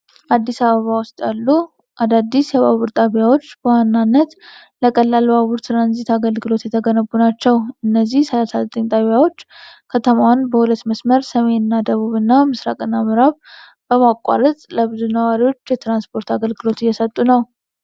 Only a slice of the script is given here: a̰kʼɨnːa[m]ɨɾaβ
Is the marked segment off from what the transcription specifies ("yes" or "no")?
no